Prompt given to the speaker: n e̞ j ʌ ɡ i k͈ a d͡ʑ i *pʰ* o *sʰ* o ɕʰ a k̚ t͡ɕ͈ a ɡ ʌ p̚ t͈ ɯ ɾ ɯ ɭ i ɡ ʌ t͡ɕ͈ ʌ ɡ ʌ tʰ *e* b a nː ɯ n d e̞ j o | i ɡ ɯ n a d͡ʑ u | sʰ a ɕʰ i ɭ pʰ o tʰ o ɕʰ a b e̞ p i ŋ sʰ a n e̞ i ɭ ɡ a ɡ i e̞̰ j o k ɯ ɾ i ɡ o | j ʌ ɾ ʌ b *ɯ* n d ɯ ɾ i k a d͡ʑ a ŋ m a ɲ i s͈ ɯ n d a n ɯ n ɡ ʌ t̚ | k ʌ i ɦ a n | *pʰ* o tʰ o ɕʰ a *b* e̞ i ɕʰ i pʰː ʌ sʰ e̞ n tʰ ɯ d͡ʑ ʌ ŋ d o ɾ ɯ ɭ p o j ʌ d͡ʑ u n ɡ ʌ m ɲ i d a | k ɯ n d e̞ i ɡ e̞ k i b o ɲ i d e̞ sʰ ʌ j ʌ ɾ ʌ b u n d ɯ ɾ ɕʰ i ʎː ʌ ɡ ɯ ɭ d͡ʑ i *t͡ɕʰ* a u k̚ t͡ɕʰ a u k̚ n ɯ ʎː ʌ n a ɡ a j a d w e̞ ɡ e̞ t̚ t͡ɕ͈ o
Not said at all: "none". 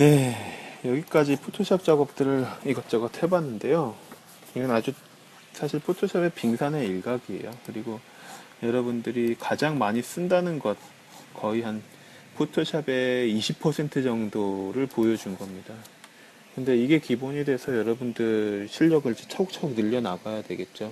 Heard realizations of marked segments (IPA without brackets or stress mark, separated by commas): pʰ, tʰ, e, u, pʰ, b, t͡ɕʰ